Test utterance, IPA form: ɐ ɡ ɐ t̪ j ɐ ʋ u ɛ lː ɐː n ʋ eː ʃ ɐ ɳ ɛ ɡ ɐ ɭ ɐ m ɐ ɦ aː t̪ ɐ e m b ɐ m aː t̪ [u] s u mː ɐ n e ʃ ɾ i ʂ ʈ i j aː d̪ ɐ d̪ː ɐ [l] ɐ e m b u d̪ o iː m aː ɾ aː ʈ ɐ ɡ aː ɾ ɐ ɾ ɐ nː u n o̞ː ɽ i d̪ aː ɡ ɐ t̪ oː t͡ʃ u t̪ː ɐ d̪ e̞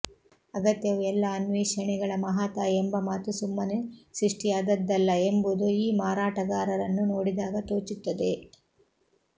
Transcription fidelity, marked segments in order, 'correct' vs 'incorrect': correct, incorrect

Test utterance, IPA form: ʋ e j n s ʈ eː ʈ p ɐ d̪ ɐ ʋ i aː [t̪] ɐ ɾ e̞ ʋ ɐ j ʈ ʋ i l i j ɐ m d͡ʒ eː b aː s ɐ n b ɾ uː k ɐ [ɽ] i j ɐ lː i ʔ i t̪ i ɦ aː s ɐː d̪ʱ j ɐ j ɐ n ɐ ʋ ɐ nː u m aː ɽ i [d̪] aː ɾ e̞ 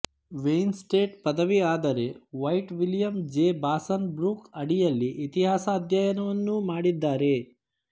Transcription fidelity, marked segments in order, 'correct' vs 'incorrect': incorrect, correct, incorrect

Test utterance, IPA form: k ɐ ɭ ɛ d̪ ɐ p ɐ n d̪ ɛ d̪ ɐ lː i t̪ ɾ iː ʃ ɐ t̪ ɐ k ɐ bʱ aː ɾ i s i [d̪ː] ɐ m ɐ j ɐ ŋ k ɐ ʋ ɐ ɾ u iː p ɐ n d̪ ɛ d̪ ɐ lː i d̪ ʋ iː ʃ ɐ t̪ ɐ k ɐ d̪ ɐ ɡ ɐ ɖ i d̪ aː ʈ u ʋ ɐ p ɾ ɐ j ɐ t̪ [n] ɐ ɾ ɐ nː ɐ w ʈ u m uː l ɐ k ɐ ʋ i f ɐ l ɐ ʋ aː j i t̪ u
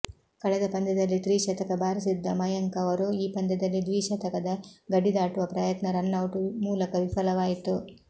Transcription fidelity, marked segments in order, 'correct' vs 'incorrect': correct, correct

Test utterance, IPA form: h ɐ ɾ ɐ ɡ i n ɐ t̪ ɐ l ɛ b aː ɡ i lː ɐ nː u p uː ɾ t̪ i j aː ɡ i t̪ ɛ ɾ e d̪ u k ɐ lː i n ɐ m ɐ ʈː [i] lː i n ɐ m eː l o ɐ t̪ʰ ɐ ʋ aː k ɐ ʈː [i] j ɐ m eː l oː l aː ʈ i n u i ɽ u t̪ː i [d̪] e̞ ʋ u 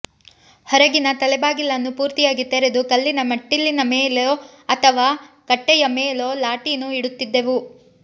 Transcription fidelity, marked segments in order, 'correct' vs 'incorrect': correct, incorrect, incorrect

